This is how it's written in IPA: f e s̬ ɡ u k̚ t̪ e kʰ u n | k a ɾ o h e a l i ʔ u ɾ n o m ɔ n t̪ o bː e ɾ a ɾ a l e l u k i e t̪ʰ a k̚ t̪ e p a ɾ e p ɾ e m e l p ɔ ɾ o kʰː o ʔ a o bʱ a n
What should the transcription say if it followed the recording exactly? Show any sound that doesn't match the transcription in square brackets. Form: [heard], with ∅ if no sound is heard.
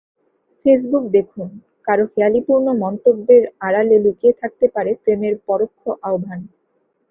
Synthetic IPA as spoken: f e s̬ [b] u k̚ [d̪] e kʰ u n | k a ɾ o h e a l i [p] u ɾ n o m ɔ n t̪ o bː e ɾ a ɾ a l e l u k i e t̪ʰ a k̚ t̪ e p a ɾ e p ɾ e m e [ɾ] p ɔ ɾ o kʰː o ʔ a o bʱ a n